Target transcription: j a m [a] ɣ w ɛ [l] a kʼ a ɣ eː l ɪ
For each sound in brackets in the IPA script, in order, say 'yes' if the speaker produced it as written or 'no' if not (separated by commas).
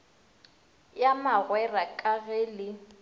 yes, no